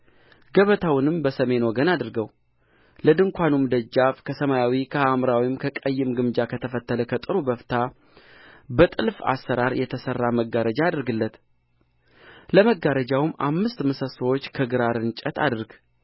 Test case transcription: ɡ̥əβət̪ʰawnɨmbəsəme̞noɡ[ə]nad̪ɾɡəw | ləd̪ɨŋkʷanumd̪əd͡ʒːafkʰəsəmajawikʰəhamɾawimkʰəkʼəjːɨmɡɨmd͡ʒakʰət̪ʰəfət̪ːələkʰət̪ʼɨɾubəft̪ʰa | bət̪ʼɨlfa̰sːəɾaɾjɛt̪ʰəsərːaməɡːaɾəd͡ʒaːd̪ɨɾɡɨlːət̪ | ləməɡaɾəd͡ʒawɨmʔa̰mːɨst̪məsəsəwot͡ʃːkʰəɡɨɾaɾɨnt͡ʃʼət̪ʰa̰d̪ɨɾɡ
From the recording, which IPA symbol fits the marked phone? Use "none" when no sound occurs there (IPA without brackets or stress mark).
ə